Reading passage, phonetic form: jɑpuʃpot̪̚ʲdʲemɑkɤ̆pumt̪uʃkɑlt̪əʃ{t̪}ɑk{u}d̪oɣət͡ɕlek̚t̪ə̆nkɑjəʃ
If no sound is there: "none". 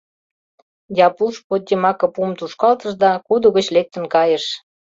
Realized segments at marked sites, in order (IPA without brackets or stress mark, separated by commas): d̪, u